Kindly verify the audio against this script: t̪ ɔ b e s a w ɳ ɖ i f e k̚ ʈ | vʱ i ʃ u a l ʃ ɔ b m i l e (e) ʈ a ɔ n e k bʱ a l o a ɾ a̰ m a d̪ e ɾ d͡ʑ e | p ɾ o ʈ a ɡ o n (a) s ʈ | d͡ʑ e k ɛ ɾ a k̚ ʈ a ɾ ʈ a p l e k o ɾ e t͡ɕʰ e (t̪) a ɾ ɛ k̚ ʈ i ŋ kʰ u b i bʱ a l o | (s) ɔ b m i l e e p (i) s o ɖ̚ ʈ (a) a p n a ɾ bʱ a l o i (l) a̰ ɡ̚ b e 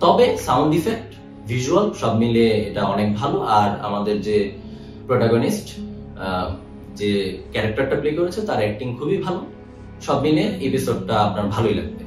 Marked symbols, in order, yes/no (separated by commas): yes, no, yes, no, yes, yes, yes